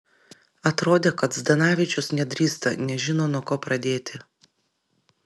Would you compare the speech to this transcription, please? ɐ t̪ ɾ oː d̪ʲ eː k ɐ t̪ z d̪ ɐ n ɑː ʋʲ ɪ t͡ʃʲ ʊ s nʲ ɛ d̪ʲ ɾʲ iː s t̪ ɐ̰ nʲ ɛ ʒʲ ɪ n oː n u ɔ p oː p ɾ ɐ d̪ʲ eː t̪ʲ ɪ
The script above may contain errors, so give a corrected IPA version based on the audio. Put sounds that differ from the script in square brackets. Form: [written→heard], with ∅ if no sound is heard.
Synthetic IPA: ɐ t̪ ɾ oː d̪ʲ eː k ɐ t̪ z d̪ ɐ n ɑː ʋʲ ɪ t͡ʃʲ ʊ s nʲ ɛ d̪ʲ ɾʲ iː s t̪ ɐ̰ nʲ ɛ ʒʲ ɪ n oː n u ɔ [p→k] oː p ɾ ɐ d̪ʲ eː t̪ʲ ɪ